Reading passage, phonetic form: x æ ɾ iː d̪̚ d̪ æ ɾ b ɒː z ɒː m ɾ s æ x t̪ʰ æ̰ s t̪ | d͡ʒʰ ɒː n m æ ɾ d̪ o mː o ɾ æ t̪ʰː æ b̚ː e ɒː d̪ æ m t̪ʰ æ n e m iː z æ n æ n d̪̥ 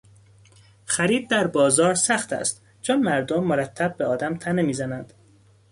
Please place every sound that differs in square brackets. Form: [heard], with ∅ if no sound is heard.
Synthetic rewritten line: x æ ɾ iː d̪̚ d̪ æ ɾ b ɒː z ɒː [∅] ɾ s æ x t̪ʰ æ̰ s t̪ | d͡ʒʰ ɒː n m æ ɾ d̪ o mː o ɾ æ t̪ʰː æ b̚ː e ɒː d̪ æ m t̪ʰ æ n e m iː z æ n æ n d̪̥